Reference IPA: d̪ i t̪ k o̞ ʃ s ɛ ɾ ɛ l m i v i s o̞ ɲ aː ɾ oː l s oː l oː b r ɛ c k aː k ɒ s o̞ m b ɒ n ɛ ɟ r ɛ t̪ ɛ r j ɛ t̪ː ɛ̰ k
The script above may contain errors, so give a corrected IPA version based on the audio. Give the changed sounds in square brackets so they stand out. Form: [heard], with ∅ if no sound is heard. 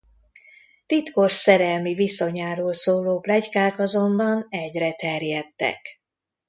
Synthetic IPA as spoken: [t̪] i t̪ k o̞ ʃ s ɛ ɾ ɛ l m i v i s o̞ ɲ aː ɾ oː l s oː l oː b [l] ɛ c k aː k ɒ [z] o̞ m b ɒ n ɛ ɟ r ɛ t̪ ɛ r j ɛ t̪ː ɛ̰ k